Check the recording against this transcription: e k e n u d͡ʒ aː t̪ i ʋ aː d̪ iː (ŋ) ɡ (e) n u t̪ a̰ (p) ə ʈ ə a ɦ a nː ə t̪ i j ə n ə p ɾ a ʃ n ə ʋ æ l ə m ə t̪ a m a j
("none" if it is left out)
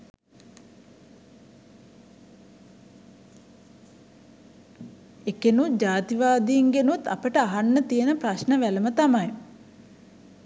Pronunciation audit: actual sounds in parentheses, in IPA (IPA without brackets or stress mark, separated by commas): ŋ, e, p